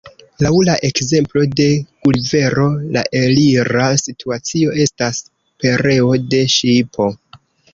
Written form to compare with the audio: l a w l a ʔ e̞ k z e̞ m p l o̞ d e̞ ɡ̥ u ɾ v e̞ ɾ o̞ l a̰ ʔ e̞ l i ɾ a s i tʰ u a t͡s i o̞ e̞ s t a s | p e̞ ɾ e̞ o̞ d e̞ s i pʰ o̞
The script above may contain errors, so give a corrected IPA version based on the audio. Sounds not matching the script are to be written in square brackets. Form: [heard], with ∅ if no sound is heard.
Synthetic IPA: l a w l a ʔ e̞ k z e̞ m p l o̞ d e̞ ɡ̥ u [l] v e̞ ɾ o̞ l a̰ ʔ e̞ l i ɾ a s i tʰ u a t͡s i o̞ e̞ s t a s | p e̞ ɾ e̞ o̞ d e̞ [ʃ] i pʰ o̞